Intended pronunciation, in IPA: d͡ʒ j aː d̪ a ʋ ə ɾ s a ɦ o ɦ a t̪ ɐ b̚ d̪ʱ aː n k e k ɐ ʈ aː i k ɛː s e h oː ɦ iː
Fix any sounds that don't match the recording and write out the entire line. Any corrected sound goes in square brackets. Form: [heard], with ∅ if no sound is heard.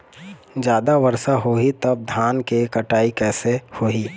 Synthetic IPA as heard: d͡ʒ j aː d̪ a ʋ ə ɾ s a ɦ o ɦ [i] t̪ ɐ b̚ d̪ʱ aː n k e k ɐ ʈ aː i k ɛː s e h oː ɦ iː